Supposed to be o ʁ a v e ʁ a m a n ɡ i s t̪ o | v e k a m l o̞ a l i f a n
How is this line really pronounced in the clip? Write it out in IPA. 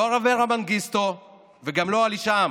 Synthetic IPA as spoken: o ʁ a v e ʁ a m a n ɡ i s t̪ o | v e ɡ a m l o̞ a l i ʃ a m